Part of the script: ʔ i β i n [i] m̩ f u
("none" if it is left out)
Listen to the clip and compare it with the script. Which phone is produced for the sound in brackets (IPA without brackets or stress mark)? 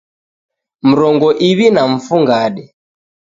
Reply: a